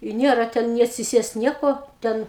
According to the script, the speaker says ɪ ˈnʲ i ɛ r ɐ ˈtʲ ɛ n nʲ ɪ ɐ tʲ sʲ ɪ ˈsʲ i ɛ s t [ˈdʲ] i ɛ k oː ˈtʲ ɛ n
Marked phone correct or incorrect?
incorrect